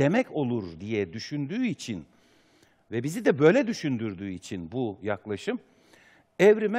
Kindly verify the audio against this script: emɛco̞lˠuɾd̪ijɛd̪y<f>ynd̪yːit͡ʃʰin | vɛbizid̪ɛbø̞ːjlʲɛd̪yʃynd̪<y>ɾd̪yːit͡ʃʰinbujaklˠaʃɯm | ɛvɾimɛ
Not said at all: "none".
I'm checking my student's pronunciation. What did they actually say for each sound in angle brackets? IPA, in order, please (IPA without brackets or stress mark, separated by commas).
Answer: ʃ, y